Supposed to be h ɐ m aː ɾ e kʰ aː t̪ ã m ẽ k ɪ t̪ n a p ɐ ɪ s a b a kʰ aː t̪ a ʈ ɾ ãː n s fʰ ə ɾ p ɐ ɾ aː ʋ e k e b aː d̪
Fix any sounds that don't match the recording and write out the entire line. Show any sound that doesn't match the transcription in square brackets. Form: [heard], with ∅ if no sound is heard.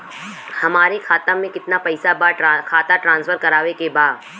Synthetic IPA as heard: h ɐ m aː ɾ e kʰ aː t̪ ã m ẽ k ɪ t̪ n a p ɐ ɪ s a b a kʰ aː t̪ a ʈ ɾ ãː n s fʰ ə ɾ [k] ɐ ɾ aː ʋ e k e b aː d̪